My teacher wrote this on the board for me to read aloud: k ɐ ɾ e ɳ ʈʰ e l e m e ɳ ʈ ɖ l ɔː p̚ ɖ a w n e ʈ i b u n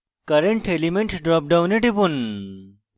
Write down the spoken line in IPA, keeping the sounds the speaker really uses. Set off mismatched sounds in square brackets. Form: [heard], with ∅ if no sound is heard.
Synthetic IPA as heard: k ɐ ɾ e ɳ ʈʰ e l [i] m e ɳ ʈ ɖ [ɾ] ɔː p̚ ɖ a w n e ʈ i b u n